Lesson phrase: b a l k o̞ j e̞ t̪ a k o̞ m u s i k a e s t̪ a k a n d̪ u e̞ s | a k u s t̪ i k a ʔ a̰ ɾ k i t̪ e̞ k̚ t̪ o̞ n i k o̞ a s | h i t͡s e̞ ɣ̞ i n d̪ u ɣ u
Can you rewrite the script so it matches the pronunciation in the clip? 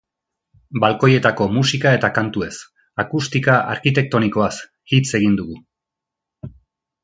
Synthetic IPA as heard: b a l k o̞ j e̞ t̪ a k o̞ m u s i k a e t̪ a k a n t̪ u e̞ s | a k u s t̪ i k a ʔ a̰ ɾ k i t̪ e̞ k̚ t̪ o̞ n i k o̞ a s | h i t͡s e̞ ɣ̞ i n d̪ u ɣ u